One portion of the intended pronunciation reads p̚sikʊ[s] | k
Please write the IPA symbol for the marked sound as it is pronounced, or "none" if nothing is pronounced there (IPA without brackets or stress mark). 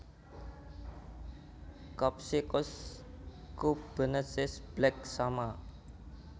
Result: s